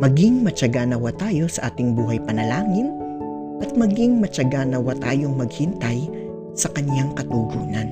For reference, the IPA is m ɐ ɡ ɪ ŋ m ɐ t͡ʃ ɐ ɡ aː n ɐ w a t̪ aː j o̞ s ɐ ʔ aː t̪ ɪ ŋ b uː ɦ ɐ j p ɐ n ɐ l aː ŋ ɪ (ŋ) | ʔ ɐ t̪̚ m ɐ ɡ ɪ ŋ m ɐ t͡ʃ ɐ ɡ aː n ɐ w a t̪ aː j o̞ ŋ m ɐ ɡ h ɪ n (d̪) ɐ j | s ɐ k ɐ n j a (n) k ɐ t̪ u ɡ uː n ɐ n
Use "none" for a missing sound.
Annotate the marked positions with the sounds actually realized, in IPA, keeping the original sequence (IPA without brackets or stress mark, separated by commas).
n, t̪, ŋ